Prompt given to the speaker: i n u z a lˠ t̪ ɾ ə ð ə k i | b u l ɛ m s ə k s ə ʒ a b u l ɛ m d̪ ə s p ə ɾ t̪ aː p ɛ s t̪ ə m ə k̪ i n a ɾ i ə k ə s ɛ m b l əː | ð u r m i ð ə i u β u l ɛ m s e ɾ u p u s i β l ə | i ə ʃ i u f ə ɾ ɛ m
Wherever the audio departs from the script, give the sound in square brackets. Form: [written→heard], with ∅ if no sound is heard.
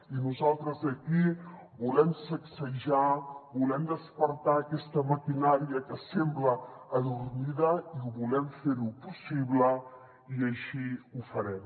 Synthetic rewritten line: i n u z a lˠ t̪ ɾ ə [ð→z] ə k i | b u l ɛ m s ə k s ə ʒ a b u l ɛ m d̪ ə s p ə ɾ t̪ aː [p→k] ɛ s t̪ ə m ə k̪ i n a ɾ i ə k ə s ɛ m b l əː | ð u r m i ð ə i u β u l ɛ m [s→f] e ɾ u p u s i β l ə | i ə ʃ i u f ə ɾ ɛ m